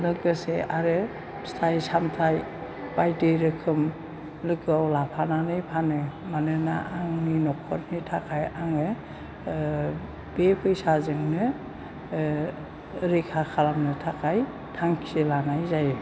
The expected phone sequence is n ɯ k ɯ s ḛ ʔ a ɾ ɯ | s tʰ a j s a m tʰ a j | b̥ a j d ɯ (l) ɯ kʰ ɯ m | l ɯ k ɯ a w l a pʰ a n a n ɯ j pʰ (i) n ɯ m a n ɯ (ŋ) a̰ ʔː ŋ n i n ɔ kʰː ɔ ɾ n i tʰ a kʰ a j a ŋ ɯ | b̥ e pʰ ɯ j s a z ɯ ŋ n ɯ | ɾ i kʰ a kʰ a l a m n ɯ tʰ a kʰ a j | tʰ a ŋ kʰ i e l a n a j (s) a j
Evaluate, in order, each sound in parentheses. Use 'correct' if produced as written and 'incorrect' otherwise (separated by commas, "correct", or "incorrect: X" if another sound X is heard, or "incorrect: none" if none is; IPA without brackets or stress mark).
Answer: incorrect: ɾ, incorrect: a, incorrect: n, incorrect: z